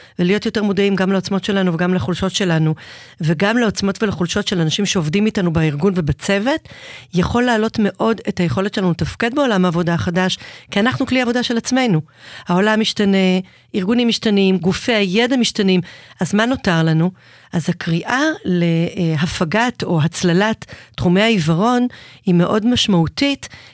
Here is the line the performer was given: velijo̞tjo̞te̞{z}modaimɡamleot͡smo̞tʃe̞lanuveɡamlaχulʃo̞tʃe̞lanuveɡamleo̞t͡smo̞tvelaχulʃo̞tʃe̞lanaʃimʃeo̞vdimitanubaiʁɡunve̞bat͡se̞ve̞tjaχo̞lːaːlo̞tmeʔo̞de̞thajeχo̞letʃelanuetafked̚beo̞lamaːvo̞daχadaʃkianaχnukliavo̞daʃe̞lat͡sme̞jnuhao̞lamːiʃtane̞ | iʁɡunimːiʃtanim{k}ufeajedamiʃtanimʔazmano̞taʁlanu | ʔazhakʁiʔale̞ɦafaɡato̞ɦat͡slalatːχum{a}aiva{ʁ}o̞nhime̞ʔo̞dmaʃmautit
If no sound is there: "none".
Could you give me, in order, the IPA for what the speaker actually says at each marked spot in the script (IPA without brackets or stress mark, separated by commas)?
ʁ, ɡ, e, ʁ